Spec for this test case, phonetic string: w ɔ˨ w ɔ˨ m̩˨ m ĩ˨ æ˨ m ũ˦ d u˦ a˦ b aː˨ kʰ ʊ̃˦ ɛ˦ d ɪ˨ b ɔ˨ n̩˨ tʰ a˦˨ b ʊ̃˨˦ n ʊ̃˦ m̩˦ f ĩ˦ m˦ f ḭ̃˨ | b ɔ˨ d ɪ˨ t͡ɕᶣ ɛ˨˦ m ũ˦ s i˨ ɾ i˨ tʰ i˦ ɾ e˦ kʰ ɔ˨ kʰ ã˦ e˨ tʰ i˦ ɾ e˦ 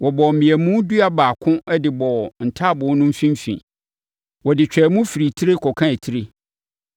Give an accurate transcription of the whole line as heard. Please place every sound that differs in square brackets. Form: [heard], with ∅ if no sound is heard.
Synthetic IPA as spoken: w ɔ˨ [b] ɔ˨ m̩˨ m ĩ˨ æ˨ m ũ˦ d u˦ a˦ b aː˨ kʰ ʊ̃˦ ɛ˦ d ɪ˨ b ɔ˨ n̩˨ tʰ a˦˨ b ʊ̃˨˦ n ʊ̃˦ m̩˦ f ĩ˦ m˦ f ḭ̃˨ | [w] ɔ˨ d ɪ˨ t͡ɕᶣ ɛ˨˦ m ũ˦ [f] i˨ ɾ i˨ tʰ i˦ ɾ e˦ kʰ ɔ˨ kʰ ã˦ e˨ tʰ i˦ ɾ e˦